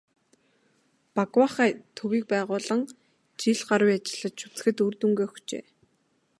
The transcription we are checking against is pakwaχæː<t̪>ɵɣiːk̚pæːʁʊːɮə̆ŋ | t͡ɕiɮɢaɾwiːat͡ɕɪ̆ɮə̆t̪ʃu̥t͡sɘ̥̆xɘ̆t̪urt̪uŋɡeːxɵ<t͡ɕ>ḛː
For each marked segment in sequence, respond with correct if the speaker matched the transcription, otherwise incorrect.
incorrect, correct

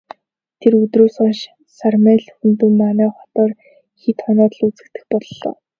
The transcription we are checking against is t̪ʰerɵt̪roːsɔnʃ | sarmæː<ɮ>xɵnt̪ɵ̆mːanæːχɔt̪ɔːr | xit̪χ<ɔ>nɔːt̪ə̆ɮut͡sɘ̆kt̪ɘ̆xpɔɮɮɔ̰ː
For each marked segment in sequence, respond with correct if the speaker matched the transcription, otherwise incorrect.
correct, correct

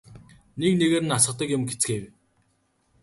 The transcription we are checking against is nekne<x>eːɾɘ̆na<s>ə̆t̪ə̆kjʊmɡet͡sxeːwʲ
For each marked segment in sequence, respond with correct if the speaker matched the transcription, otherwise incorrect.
incorrect, correct

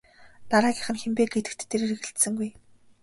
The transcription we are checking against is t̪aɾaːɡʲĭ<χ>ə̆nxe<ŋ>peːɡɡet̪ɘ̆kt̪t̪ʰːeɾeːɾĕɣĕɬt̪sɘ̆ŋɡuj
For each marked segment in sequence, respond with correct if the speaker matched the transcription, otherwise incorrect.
correct, incorrect

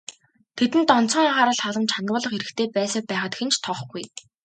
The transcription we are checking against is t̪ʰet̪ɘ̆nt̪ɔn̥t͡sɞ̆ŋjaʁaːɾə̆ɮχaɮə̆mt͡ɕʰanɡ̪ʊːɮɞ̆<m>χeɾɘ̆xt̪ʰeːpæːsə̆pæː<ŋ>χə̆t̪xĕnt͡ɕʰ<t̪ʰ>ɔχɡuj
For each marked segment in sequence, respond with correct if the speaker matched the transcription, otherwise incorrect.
incorrect, incorrect, correct

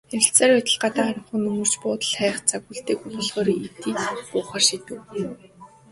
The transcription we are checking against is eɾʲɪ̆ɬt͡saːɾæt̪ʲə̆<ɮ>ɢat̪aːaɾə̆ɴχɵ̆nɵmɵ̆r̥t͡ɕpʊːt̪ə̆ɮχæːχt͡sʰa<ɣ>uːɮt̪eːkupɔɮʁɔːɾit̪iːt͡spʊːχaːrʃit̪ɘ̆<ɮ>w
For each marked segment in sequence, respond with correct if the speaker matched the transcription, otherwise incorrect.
correct, correct, incorrect

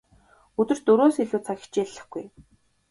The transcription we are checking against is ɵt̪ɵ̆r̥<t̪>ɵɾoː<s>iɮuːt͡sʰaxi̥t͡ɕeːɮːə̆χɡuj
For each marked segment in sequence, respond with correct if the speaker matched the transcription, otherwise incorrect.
correct, correct

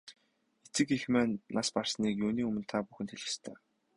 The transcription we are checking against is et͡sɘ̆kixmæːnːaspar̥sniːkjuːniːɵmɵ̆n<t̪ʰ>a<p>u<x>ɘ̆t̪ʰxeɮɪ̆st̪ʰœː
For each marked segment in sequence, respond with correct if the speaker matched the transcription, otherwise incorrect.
correct, correct, correct

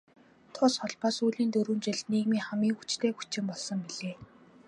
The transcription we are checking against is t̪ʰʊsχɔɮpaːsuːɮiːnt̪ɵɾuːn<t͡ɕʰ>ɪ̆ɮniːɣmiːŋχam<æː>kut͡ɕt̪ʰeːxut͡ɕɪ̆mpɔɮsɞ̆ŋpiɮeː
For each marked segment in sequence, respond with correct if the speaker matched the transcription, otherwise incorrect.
incorrect, incorrect

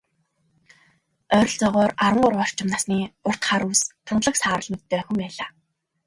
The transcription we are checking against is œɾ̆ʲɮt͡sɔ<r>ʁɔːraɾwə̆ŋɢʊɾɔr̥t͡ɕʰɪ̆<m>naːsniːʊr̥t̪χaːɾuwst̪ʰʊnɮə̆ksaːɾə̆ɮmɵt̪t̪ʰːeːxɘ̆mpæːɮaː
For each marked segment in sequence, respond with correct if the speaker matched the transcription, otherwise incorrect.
incorrect, correct

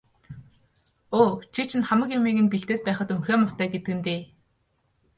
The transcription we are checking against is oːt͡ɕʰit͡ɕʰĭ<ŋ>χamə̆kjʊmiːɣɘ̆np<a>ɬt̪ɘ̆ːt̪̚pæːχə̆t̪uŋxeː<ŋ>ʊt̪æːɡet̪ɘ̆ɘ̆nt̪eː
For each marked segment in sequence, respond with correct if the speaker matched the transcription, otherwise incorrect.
incorrect, incorrect, incorrect

